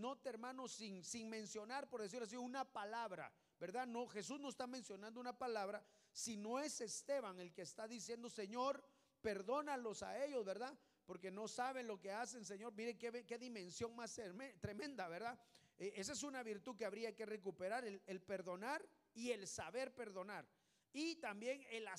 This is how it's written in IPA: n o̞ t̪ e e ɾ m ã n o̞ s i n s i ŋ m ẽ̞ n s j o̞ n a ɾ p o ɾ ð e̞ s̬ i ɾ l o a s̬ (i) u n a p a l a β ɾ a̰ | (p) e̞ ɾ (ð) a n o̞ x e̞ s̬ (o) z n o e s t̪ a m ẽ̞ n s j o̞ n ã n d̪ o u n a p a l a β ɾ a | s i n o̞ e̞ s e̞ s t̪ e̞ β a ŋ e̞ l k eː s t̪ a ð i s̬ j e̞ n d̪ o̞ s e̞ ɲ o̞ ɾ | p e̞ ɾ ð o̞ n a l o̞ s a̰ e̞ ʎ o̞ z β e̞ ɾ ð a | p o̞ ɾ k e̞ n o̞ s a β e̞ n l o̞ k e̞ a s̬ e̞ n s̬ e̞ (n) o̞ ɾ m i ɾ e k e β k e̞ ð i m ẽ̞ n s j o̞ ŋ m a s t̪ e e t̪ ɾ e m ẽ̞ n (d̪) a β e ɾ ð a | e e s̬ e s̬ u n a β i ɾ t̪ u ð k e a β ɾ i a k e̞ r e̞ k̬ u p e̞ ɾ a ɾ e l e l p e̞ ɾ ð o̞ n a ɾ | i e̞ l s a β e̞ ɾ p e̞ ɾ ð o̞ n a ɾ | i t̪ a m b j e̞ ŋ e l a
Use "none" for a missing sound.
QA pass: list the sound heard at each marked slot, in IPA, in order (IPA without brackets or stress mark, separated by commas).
i, b, ð, u, ɲ, d̪